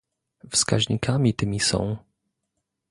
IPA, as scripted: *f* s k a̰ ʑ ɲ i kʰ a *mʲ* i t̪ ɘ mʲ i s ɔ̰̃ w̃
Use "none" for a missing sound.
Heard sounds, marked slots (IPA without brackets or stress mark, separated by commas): f, mʲ